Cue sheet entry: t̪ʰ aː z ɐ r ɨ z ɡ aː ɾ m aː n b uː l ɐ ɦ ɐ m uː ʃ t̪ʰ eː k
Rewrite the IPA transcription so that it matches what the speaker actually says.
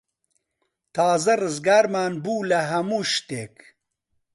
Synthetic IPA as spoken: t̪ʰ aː z ɐ r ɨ z ɡ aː ɾ m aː n b uː l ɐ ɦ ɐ m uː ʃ t̪ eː k